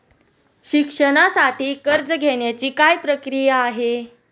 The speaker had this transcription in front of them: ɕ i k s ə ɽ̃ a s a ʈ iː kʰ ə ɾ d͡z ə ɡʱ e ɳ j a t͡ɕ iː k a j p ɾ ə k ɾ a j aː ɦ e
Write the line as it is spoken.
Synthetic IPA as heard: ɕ i k ʂ ə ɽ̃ a s a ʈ iː k ə ɾ d͡z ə ɡʱ e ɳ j a t͡ɕ iː k a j p ɾ ə k ɾ i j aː ɦ e